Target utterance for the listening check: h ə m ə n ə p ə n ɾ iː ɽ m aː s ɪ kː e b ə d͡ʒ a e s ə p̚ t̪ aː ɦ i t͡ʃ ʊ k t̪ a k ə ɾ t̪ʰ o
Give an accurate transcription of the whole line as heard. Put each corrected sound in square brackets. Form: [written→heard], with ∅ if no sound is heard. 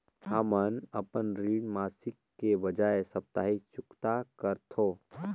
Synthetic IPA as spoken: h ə m ə n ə p ə n ɾ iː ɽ m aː s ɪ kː e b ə d͡ʒ a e s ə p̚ t̪ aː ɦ i t͡ʃ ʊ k t̪ a k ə ɾ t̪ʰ o